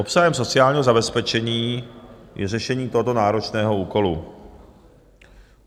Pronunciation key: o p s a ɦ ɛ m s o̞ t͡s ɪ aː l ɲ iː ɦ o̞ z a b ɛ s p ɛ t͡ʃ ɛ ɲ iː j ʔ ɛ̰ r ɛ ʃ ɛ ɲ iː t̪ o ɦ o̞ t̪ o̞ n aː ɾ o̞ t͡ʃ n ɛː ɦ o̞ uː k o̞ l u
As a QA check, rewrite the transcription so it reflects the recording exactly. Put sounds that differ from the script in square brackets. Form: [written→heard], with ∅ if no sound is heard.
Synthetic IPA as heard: o p s a ɦ ɛ m s o̞ t͡s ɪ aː l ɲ iː ɦ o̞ z a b ɛ s p ɛ t͡ʃ ɛ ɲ iː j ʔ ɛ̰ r ɛ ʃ ɛ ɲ iː t̪ o ɦ o̞ t̪ o̞ n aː ɾ o̞ t͡ʃ n ɛː ɦ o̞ uː k o̞ l u